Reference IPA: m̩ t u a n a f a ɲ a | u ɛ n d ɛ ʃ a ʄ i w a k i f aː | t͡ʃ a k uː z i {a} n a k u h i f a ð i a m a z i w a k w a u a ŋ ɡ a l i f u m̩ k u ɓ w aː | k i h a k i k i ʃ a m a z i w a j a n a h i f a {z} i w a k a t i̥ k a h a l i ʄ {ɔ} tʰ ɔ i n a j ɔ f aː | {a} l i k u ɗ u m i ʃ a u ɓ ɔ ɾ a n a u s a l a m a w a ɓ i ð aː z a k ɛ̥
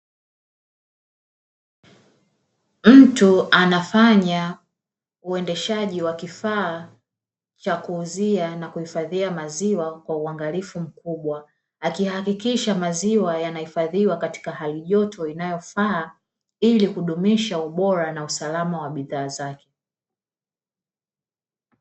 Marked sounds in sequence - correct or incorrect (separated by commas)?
correct, incorrect, correct, incorrect